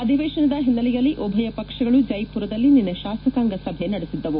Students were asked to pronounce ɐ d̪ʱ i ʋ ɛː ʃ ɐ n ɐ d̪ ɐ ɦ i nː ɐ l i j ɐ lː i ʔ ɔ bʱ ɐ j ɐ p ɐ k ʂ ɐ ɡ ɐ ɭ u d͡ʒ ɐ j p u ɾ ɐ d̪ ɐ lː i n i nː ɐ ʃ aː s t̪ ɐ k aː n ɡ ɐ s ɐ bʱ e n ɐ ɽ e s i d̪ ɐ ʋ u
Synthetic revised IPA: ɐ d̪ʱ i ʋ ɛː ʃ ɐ n ɐ d̪ ɐ ɦ i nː ɐ l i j ɐ lː i ʔ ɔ bʱ ɐ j ɐ p ɐ k ʂ ɐ ɡ ɐ ɭ u d͡ʒ ɐ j p u ɾ ɐ d̪ ɐ lː i n i nː ɐ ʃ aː s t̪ ɐ k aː ŋ ɡ ɐ s ɐ bʱ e n ɐ ɽ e s i d̪ː ɐ ʋ u